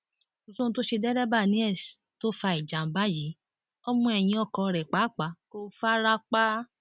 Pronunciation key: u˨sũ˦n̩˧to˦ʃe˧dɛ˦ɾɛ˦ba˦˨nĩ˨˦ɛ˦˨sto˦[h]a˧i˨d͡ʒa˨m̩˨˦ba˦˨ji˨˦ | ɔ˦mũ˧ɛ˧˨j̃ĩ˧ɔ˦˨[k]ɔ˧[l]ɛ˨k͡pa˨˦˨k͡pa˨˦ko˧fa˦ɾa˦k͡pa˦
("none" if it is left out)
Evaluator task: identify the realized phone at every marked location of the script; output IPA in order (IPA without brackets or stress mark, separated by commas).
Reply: f, k, ɾ